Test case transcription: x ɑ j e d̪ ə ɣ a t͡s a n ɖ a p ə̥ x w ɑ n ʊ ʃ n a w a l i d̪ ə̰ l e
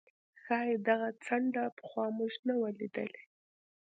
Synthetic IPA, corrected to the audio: x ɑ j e d̪ a ɣ a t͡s a ɳ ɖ a p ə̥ x w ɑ m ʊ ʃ n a w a l i d̪ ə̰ l e